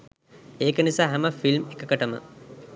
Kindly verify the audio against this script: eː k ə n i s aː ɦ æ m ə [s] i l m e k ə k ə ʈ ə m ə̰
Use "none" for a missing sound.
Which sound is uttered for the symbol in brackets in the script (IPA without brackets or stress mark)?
f